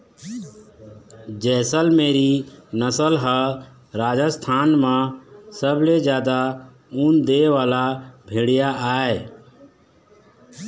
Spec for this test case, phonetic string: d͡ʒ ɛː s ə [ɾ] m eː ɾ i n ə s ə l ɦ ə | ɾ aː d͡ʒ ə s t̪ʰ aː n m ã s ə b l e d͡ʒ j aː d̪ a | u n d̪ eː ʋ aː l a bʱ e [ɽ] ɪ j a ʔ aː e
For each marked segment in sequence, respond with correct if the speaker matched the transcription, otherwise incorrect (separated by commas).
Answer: incorrect, correct